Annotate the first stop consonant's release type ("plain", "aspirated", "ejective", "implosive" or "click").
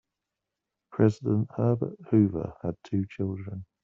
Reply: aspirated